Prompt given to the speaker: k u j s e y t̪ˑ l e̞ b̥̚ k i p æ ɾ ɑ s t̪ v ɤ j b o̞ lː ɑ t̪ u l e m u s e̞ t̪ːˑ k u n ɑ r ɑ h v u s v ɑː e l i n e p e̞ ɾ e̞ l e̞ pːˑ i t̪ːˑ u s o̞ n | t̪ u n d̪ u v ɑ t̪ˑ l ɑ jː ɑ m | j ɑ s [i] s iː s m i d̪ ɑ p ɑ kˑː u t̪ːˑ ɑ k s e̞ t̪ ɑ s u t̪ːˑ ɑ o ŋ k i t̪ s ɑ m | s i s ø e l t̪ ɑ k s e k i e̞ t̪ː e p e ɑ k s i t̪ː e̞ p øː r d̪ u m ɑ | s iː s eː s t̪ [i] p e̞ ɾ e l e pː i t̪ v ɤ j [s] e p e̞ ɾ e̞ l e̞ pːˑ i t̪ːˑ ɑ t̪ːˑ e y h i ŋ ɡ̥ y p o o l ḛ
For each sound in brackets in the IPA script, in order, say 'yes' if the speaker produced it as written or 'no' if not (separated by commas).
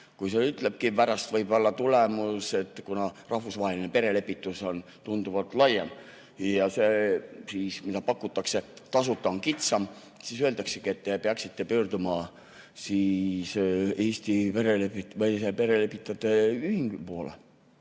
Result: no, yes, yes